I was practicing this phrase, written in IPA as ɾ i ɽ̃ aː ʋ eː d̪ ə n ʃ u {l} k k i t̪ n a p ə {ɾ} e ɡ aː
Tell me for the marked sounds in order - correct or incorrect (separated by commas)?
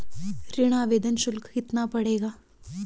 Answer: correct, incorrect